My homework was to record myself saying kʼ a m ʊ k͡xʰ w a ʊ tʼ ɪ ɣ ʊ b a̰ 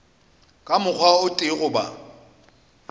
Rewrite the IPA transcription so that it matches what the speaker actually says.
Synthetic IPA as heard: kʼ a m ʊ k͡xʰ w a ʊ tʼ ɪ ɣ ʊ b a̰